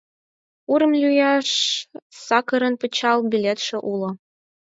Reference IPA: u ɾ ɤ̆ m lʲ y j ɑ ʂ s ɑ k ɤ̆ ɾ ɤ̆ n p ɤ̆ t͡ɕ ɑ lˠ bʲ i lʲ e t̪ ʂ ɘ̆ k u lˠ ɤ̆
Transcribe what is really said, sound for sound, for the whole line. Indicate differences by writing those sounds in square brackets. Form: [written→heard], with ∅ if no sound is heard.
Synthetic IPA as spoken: u ɾ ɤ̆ m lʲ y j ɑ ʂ s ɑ k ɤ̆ ɾ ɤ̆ n p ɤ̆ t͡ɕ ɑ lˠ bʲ i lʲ e t̪ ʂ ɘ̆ [k→ʔ] u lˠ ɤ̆